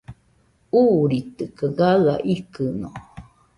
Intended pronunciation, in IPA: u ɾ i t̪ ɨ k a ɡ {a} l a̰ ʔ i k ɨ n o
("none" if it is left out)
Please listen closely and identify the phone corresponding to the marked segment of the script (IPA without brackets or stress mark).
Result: a